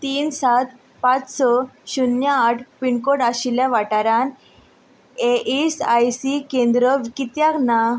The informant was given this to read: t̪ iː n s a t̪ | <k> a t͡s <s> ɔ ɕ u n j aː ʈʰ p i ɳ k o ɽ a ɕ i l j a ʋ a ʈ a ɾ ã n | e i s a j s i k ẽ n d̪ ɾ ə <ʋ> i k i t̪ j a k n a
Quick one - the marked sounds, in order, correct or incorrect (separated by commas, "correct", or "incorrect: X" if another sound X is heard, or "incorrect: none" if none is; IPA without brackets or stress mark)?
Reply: incorrect: p, correct, correct